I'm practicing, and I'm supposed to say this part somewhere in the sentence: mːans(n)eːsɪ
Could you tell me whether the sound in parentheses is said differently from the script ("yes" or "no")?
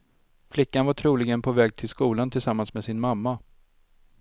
yes